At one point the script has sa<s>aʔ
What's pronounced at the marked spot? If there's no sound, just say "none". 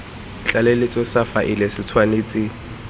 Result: f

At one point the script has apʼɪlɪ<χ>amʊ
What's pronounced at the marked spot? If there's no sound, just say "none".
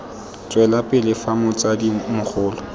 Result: f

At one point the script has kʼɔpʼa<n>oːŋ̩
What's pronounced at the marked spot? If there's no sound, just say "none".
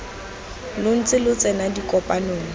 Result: n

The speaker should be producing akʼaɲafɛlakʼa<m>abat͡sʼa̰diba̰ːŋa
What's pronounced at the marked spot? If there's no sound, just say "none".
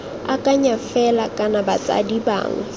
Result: n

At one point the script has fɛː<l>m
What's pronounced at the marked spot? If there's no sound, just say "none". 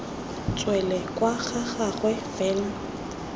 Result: l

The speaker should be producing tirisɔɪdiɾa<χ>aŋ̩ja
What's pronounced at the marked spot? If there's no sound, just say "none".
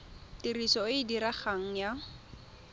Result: χ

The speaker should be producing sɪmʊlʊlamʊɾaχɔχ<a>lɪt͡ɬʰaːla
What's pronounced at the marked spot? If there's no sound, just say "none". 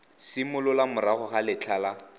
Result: a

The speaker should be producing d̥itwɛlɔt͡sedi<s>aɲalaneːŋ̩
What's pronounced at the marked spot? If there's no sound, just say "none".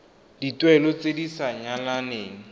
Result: s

